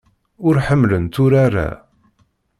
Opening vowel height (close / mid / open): close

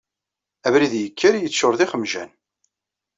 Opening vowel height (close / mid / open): open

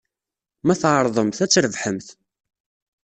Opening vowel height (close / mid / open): open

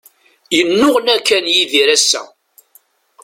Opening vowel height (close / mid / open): mid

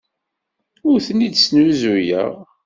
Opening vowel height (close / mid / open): close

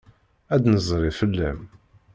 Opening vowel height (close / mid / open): open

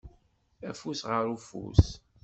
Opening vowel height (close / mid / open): open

